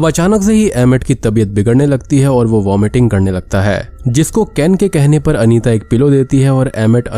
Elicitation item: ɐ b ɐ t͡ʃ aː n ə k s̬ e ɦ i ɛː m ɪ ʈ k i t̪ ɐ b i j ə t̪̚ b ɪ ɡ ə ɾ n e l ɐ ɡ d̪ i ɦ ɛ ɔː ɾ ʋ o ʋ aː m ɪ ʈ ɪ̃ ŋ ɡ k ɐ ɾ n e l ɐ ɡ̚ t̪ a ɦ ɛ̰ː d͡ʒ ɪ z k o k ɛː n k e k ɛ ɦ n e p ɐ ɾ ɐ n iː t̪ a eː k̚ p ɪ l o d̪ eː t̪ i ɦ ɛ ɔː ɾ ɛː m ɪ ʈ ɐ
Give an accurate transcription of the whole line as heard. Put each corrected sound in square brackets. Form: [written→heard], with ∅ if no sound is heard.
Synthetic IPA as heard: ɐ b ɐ t͡ʃ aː n ə k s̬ e ɦ i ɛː m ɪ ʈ k i t̪ ɐ b i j ə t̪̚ b ɪ ɡ ə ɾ n e l ɐ ɡ [d̪→t̪] i ɦ ɛ ɔː ɾ ʋ o ʋ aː m ɪ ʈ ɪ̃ ŋ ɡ k ɐ ɾ n e l ɐ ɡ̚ t̪ a ɦ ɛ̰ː d͡ʒ ɪ [z→s] k o k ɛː n k e k ɛ ɦ n e p ɐ ɾ ɐ n iː t̪ a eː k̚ p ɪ l o d̪ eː t̪ i ɦ ɛ ɔː ɾ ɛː m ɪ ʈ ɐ